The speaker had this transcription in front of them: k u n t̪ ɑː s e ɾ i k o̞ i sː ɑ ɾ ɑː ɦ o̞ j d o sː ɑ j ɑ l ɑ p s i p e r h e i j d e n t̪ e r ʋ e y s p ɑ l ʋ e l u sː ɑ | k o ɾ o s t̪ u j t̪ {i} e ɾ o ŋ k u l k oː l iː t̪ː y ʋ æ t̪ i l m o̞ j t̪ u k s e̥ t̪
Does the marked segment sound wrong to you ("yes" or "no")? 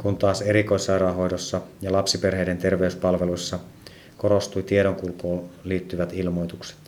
no